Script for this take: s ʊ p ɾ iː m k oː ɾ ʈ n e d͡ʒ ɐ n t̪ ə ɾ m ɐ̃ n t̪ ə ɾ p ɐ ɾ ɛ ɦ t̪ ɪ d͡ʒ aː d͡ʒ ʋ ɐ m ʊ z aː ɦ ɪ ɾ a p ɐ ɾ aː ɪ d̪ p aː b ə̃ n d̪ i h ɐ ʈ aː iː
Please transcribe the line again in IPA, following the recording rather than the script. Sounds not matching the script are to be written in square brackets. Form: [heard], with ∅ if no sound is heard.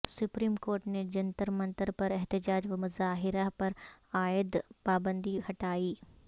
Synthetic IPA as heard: s ʊ p ɾ iː m k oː ɾ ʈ n e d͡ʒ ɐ n t̪ ə ɾ m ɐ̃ n t̪ ə ɾ p ɐ ɾ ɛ ɦ t̪ ɪ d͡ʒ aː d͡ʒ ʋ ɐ m ʊ z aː ɦ ɪ ɾ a p ɐ ɾ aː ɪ d̪ p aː b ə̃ n d̪ i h ɐ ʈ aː iː